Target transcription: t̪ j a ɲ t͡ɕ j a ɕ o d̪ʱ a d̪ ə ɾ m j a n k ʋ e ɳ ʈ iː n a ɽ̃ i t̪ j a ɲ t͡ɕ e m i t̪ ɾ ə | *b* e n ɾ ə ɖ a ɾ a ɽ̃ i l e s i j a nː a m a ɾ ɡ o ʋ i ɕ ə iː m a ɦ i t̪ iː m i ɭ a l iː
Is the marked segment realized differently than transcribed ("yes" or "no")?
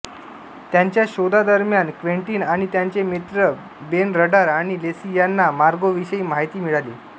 no